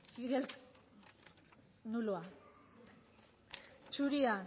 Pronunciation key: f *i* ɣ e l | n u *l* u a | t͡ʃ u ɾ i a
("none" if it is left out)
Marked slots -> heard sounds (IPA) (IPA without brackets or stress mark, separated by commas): i, l